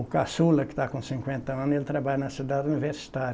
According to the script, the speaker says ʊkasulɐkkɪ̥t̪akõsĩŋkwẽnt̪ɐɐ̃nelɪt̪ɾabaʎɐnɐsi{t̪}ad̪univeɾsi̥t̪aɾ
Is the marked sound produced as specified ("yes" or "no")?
no